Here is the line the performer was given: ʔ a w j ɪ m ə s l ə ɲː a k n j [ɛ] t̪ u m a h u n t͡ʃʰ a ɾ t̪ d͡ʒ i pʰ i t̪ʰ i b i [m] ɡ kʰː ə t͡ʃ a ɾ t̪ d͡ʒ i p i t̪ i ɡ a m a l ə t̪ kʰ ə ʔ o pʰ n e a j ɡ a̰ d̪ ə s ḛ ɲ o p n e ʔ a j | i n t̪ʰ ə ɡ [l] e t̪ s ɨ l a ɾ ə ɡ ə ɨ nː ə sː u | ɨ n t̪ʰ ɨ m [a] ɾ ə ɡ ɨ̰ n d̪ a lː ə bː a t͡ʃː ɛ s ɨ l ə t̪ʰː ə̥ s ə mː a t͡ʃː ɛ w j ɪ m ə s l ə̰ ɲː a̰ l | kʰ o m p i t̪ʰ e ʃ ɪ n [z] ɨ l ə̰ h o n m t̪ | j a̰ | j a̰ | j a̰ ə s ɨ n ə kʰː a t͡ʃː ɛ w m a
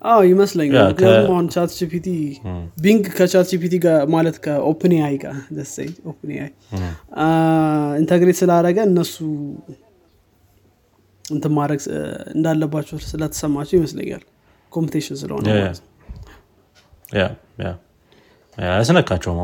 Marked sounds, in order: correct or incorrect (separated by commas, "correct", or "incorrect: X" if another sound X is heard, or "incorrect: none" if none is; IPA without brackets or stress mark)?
incorrect: a, incorrect: ŋ, incorrect: ɾ, correct, incorrect: s